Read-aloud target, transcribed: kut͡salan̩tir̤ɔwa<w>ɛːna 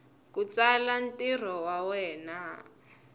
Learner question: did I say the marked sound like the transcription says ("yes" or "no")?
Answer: yes